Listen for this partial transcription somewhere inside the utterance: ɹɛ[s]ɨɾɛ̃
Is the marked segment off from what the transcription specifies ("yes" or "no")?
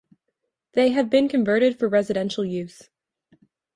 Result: yes